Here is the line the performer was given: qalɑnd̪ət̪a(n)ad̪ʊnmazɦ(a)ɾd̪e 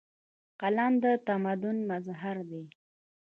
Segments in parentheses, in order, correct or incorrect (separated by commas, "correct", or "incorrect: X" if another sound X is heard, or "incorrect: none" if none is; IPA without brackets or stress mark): incorrect: m, correct